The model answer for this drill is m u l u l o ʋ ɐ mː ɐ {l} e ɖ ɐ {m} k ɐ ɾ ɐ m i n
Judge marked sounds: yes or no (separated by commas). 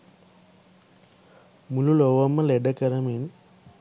yes, no